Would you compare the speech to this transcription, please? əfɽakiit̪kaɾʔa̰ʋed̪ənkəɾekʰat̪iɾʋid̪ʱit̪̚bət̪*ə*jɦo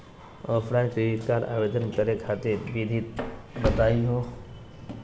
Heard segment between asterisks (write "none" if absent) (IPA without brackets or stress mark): a